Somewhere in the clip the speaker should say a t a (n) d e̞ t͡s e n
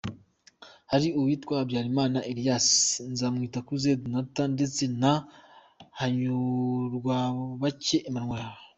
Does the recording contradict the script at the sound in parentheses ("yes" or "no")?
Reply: no